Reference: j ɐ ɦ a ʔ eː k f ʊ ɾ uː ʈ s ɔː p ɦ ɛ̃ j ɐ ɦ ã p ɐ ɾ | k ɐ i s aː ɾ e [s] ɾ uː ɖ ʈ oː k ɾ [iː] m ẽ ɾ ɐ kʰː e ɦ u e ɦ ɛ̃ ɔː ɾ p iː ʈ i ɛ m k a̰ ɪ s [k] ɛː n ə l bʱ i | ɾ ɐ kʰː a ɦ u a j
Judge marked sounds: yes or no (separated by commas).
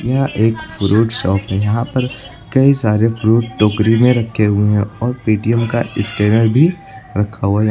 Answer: no, no, yes